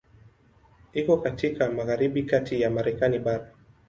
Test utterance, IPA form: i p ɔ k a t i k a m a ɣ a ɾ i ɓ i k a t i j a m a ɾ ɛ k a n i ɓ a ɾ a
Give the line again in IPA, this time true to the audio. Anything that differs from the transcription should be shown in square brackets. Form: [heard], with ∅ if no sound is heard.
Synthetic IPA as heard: i [k] ɔ k a t i k a m a ɣ a ɾ i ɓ i k a t i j a m a ɾ ɛ k a n i ɓ a ɾ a